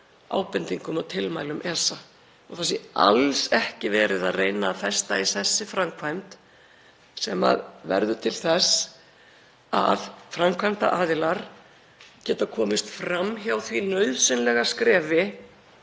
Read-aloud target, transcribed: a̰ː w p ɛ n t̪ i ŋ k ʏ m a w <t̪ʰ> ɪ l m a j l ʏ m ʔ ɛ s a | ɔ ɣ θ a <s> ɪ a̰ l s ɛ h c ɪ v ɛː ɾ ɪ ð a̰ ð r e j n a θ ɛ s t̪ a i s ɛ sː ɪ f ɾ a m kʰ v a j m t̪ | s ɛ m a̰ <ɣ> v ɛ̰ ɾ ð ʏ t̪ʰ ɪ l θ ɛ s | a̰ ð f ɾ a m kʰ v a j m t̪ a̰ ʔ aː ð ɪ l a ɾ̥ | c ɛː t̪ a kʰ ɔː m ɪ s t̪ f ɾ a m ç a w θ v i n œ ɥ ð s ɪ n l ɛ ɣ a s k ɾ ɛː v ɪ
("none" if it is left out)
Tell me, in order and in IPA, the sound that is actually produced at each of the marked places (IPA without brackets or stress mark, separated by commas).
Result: t̪ʰ, s, ð